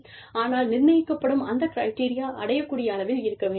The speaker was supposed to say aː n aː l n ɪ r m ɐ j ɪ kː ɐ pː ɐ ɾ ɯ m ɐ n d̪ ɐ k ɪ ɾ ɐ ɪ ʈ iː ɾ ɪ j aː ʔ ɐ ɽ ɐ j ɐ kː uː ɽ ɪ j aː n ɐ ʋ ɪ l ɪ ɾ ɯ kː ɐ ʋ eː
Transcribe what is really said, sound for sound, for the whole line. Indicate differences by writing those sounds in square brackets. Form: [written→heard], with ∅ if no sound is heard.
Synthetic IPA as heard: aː n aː l n ɪ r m ɐ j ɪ kː ɐ pː ɐ [ɾ→ɽ] ɯ m ɐ n d̪ ɐ k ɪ ɾ ɐ ɪ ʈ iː ɾ ɪ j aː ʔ ɐ ɽ ɐ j ɐ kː uː ɽ ɪ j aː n ɐ ʋ ɪ l ɪ ɾ ɯ kː ɐ ʋ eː